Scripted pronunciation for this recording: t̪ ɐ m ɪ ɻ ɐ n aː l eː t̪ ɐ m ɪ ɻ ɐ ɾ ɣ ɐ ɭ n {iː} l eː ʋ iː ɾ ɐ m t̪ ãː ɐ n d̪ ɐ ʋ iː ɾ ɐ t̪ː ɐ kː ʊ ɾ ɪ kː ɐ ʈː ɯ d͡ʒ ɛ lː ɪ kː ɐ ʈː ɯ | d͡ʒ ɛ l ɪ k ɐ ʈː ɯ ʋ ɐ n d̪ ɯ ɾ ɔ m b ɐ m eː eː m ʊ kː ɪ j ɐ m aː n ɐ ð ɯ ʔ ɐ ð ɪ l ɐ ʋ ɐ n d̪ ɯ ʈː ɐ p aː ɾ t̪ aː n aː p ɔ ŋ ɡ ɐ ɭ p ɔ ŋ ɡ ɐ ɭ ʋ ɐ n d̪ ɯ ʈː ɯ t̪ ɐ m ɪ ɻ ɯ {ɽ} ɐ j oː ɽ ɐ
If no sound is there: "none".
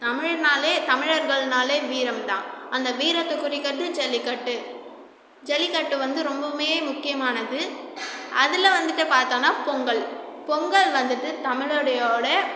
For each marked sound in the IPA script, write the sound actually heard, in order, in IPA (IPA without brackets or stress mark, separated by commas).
aː, ɽ